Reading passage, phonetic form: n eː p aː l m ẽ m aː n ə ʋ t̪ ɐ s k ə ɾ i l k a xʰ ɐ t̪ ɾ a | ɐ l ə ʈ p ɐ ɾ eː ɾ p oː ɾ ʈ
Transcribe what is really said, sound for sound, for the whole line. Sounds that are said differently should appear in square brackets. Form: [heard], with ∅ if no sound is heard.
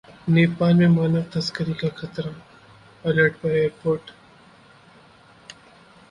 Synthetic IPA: n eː p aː l m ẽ m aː n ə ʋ t̪ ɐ s k ə ɾ i [∅] k a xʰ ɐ t̪ ɾ a | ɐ l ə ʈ p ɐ ɾ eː ɾ p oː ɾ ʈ